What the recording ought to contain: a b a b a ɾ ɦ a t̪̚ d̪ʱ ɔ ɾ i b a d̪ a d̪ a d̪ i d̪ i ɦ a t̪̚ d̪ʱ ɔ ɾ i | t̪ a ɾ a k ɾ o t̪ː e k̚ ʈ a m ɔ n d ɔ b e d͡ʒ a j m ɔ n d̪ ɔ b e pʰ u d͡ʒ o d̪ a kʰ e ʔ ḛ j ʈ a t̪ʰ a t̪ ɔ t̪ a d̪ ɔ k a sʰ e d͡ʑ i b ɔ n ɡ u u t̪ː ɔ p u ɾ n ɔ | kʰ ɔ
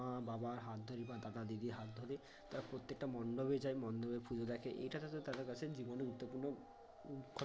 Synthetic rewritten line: a b a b a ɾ ɦ a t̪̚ d̪ʱ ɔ ɾ i b a d̪ a d̪ a d̪ i d̪ i ɦ a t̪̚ d̪ʱ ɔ ɾ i | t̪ a ɾ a p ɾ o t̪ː e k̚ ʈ a m ɔ n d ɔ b e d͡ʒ a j m ɔ n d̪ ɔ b e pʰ u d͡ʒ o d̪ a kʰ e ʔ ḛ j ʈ a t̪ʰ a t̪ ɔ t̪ a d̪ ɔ k a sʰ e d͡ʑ i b ɔ n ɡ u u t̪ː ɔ p u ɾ n ɔ | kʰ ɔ

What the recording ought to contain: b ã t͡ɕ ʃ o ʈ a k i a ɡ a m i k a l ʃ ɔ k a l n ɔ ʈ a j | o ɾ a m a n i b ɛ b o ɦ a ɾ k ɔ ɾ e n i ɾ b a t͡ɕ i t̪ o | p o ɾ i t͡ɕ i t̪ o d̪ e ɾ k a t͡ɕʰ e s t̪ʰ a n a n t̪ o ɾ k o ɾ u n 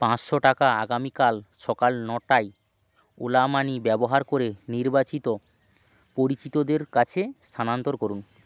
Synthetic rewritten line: p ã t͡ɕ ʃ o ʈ a k a a ɡ a m i k a l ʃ ɔ k a l n ɔ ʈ a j | o l a m a n i b ɛ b o ɦ a ɾ k o ɾ e n i ɾ b a t͡ɕ i t̪ o | p o ɾ i t͡ɕ i t̪ o d̪ e ɾ k a t͡ɕʰ e s t̪ʰ a n a n t̪ o ɾ k o ɾ u n

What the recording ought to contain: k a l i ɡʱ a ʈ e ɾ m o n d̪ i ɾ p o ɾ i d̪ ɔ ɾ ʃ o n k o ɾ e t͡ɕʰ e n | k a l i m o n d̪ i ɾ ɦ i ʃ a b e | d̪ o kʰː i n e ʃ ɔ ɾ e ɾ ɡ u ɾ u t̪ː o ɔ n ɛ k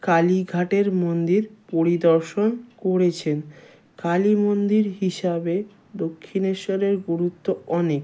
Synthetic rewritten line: k a l i ɡʱ a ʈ e ɾ m o n d̪ i ɾ p o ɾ i d̪ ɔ ɾ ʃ o n k o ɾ e t͡ɕʰ e n | k a l i m o n d̪ i ɾ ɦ i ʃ a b e | d̪ o kʰː i n e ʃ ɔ ɾ e ɾ ɡ u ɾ u t̪ː o ɔ n e k

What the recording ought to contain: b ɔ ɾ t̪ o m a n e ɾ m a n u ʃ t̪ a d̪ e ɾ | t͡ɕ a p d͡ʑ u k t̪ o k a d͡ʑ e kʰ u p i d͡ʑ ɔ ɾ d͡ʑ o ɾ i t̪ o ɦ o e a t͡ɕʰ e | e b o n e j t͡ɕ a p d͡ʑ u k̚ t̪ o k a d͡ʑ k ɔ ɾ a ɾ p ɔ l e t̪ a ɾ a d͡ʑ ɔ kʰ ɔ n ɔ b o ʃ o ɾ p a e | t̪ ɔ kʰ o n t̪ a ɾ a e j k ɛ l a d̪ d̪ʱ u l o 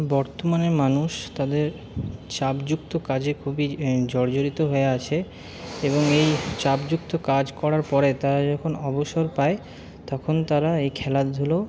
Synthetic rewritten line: b ɔ ɾ t̪ o m a n e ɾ m a n u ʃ t̪ a d̪ e ɾ | t͡ɕ a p d͡ʑ u k t̪ o k a d͡ʑ e kʰ u b i d͡ʑ ɔ ɾ d͡ʑ o ɾ i t̪ o ɦ o e a t͡ɕʰ e | e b o ŋ e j t͡ɕ a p d͡ʑ u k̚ t̪ o k a d͡ʑ k ɔ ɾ a ɾ p ɔ ɾ e t̪ a ɾ a d͡ʑ ɔ kʰ o n ɔ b o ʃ o ɾ p a e | t̪ ɔ kʰ o n t̪ a ɾ a e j kʰ ɛ l a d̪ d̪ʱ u l o

